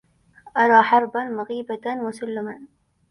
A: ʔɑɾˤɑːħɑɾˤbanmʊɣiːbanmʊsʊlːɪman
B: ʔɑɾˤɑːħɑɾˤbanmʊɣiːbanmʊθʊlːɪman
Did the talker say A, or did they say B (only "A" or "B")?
A